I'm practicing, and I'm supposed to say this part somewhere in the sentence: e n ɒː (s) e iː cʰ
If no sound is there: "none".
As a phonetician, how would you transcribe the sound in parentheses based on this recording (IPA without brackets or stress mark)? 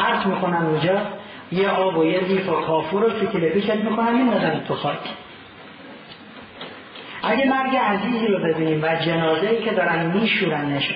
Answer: z